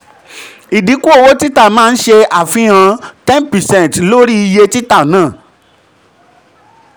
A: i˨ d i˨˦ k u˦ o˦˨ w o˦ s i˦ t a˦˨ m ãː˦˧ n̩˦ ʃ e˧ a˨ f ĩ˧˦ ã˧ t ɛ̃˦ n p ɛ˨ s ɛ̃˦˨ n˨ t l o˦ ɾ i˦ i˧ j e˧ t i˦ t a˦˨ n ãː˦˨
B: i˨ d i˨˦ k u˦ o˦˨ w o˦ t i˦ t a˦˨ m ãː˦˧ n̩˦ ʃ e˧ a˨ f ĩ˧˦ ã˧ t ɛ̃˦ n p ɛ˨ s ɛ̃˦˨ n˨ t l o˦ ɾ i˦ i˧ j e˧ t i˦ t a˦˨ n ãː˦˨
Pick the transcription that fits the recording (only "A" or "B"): B